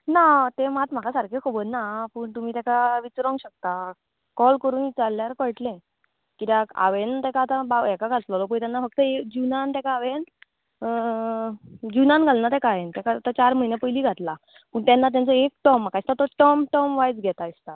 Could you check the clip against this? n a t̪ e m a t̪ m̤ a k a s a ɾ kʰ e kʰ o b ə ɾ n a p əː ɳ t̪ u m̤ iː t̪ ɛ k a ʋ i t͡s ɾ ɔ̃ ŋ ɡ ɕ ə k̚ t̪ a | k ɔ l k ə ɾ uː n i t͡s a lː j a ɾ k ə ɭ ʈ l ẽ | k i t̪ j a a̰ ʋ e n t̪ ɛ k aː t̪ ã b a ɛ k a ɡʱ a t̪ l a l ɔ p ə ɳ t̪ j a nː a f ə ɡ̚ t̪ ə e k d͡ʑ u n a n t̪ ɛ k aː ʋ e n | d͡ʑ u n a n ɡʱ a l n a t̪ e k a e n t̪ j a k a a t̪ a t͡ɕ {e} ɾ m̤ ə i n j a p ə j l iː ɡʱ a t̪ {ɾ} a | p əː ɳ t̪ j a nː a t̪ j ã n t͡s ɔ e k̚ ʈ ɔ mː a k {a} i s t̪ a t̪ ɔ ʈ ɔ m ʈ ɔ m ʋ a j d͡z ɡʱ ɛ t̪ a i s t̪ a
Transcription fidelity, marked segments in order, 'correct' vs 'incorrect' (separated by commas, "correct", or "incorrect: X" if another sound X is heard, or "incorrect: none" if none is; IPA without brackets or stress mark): incorrect: a, incorrect: l, correct